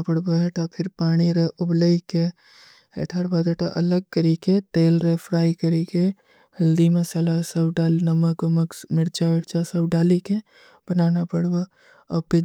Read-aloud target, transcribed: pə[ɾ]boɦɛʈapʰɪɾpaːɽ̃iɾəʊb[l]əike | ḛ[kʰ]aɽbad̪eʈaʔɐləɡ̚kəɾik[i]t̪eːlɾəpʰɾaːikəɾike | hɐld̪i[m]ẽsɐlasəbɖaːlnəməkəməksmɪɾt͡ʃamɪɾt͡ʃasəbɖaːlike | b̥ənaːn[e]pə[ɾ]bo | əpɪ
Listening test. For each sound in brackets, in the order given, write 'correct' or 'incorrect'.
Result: incorrect: ɽ, correct, incorrect: ʈʰ, incorrect: e, correct, incorrect: a, incorrect: ɽ

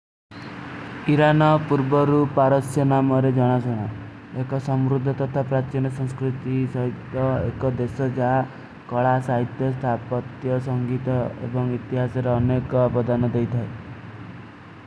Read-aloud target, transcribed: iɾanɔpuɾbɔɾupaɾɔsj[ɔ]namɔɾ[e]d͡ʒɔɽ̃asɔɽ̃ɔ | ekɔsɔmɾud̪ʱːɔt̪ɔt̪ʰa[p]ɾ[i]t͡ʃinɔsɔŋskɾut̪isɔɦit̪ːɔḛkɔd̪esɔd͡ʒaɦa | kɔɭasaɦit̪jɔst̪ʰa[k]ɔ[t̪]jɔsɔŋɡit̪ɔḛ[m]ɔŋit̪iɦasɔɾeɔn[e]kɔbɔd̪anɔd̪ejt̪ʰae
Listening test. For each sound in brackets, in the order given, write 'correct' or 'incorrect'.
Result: correct, correct, correct, incorrect: a, incorrect: p, correct, incorrect: b, correct

